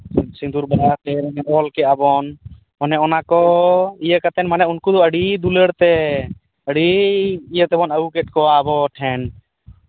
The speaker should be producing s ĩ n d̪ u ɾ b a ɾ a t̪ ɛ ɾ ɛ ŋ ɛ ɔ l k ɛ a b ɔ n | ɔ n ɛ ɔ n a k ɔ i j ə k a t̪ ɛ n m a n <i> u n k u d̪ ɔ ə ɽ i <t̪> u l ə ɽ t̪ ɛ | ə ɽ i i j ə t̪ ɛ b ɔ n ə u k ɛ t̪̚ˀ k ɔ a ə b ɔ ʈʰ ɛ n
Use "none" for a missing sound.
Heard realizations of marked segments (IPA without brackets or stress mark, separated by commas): ɛ, d̪